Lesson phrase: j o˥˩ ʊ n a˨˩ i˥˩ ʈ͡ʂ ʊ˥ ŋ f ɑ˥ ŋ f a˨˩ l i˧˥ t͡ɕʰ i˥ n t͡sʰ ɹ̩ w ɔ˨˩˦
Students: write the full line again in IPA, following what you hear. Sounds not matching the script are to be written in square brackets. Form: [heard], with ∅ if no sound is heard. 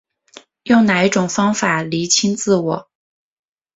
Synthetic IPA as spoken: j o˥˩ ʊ n a˨˩ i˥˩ ʈ͡ʂ [ʊ˨˩] ŋ f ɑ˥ ŋ f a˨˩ l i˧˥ t͡ɕʰ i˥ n [t͡s] ɹ̩ w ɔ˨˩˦